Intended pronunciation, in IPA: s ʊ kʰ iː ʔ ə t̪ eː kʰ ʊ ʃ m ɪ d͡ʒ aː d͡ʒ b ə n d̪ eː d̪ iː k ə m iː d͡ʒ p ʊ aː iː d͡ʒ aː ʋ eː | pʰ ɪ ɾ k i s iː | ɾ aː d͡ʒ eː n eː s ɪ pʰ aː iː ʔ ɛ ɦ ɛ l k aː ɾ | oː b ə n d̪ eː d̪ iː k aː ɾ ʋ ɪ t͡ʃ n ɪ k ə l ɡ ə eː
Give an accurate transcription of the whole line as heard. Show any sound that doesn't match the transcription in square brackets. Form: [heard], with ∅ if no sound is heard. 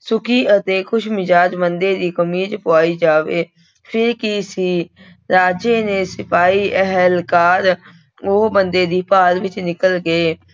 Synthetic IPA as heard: s ʊ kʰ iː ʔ ə t̪ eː kʰ ʊ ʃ m ɪ d͡ʒ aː d͡ʒ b ə n d̪ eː d̪ iː k ə m iː d͡ʒ p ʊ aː iː d͡ʒ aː ʋ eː | pʰ ɪ ɾ k i s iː | ɾ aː d͡ʒ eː n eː s ɪ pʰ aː iː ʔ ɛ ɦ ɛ l k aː ɾ | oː b ə n d̪ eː d̪ iː [p] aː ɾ ʋ ɪ t͡ʃ n ɪ k ə l ɡ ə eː